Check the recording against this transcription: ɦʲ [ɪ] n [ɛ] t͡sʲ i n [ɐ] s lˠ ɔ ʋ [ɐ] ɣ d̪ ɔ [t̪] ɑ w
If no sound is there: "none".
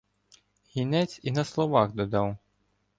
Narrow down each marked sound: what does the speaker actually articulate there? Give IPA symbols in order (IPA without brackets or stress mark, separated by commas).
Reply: i, ɛ, ɐ, ɑ, d̪